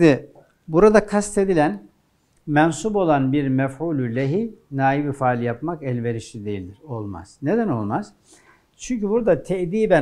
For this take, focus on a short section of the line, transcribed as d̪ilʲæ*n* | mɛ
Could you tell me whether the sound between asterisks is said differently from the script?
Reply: no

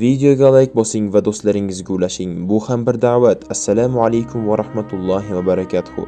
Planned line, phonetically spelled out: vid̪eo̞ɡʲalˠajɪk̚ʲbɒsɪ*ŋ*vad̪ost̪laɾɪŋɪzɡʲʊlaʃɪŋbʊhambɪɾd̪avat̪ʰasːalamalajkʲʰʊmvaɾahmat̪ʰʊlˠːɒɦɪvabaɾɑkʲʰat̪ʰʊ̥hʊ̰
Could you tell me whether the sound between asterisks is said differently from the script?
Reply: no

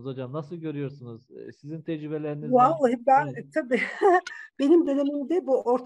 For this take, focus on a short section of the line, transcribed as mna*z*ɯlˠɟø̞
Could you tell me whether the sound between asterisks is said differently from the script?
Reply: yes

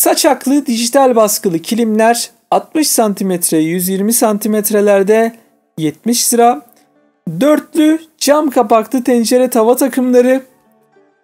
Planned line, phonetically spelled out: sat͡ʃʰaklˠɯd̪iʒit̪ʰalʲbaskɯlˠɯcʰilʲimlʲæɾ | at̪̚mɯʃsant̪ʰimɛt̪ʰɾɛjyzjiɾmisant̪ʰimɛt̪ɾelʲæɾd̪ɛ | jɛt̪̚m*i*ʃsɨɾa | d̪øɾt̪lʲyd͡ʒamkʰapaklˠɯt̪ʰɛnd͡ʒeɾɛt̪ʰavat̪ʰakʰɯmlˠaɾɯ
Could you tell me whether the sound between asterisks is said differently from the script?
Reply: no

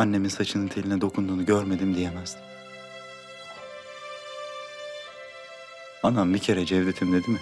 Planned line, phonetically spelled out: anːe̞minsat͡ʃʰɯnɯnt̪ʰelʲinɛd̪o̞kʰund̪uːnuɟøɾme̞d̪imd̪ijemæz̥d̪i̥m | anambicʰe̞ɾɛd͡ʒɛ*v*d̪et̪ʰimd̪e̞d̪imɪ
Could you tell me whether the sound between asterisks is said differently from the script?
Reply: no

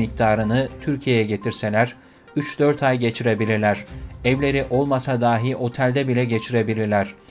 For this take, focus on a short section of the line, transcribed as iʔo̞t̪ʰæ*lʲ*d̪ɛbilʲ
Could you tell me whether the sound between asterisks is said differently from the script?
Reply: no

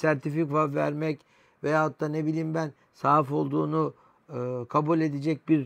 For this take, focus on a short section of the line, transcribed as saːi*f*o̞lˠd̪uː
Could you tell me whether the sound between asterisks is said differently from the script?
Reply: no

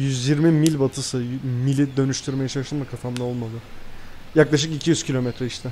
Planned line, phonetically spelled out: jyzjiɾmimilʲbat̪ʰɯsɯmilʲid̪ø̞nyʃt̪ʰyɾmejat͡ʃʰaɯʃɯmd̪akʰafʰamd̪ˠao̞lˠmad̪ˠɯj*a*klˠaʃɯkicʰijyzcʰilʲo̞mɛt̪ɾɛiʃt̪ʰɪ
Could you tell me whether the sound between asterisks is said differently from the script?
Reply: no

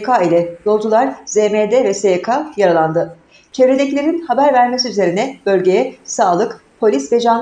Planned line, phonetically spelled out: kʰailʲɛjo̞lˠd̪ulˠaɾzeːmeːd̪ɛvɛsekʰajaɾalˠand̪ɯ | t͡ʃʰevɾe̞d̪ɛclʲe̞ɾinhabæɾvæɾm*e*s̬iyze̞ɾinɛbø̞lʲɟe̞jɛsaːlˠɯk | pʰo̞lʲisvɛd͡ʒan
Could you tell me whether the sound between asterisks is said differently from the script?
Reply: no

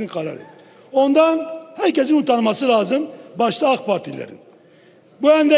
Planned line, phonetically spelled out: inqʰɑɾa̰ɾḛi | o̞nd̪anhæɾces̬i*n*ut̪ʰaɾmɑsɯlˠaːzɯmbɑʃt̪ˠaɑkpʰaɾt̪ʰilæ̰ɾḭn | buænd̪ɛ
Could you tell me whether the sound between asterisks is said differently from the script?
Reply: no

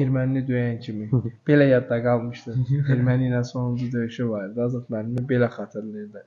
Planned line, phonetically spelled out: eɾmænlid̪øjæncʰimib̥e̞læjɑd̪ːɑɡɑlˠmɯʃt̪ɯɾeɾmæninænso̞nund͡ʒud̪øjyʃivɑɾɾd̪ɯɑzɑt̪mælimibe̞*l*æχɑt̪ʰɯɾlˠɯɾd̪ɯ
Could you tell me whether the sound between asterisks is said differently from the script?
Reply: no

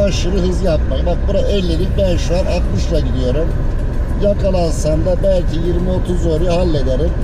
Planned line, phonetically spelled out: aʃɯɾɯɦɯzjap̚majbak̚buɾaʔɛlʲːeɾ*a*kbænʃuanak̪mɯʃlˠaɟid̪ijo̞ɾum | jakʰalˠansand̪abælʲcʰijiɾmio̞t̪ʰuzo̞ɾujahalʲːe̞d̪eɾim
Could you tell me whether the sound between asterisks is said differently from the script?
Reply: yes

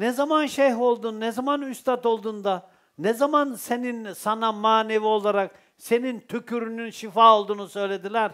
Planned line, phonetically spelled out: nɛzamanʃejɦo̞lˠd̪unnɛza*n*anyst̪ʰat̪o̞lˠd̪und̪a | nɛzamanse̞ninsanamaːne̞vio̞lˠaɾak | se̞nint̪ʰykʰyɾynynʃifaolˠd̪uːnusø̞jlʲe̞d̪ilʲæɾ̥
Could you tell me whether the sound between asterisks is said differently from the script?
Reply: yes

